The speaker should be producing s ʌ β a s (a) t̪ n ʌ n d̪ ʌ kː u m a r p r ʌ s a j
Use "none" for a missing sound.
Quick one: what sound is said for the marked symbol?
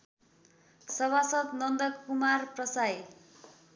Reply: ʌ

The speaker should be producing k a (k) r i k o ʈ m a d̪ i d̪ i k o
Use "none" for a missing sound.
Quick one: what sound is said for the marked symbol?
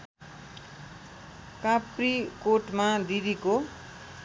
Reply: p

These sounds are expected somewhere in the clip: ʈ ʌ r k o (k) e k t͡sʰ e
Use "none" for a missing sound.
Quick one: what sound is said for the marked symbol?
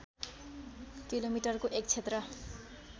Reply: ʔ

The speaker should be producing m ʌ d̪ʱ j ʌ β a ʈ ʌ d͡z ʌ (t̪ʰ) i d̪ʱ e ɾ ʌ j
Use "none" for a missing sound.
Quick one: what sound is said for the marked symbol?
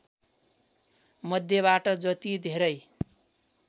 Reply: t̪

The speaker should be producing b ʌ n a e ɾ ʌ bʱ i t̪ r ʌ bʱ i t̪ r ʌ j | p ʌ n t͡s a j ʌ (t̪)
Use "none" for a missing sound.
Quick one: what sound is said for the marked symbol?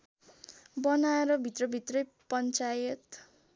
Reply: t̪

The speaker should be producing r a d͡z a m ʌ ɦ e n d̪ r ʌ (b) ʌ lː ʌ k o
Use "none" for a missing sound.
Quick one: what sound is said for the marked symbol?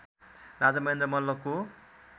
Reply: m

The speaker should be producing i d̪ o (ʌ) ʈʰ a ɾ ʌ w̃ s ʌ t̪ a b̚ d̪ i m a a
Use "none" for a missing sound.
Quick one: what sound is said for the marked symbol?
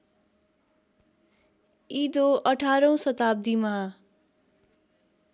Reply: ʌ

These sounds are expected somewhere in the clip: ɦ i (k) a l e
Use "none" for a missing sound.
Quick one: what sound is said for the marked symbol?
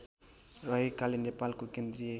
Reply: k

